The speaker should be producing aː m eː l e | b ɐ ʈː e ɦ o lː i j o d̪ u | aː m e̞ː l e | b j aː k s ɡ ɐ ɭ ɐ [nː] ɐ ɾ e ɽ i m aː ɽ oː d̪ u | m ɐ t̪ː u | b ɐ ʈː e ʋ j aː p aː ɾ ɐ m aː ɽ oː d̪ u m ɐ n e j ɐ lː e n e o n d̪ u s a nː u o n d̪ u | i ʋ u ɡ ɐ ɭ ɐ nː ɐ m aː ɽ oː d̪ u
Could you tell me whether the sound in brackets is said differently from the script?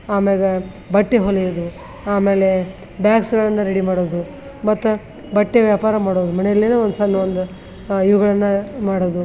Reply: no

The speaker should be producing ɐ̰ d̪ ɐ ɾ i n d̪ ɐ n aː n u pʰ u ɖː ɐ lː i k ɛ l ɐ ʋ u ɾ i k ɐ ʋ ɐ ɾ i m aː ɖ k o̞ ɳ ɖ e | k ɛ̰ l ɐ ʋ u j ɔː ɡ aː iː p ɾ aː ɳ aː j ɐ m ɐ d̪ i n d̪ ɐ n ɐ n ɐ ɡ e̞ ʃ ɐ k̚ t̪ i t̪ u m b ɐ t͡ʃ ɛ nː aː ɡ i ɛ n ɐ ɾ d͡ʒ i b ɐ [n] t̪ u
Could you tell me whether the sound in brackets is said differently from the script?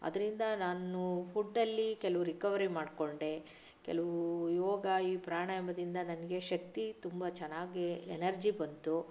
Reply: no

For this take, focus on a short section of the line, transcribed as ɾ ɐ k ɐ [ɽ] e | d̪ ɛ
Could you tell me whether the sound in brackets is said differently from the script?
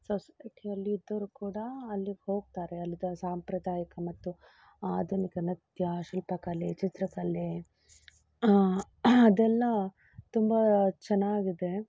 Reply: yes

